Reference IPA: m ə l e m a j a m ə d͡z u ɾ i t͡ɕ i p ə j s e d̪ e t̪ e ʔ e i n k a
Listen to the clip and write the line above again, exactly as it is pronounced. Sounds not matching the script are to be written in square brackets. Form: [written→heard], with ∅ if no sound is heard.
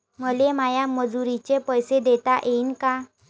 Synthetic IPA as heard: m ə l e m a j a m ə d͡z u ɾ i t͡ɕ [i→e] p ə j s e d̪ e t̪ [e→a] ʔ e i n k a